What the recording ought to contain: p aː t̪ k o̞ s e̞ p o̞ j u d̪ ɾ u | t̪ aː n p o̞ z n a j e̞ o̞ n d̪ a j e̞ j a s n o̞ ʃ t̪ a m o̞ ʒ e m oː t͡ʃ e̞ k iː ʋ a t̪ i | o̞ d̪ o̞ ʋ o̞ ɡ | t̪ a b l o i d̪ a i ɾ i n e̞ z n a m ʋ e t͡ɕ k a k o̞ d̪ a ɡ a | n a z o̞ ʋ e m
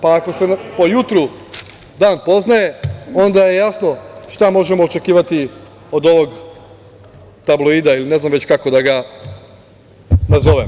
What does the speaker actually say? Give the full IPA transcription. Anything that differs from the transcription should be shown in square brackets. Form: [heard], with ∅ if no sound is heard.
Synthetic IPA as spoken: p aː [∅] k o̞ s e̞ p o̞ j u [t̪] ɾ u | [d̪] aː n p o̞ z n a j e̞ o̞ n d̪ a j e̞ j a s n o̞ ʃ t̪ a m o̞ ʒ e m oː t͡ʃ e̞ k iː ʋ a t̪ i | o̞ d̪ o̞ ʋ o̞ ɡ | t̪ a b l o i d̪ a i [l] i n e̞ z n a m ʋ e t͡ɕ k a k o̞ d̪ a ɡ a | n a z o̞ ʋ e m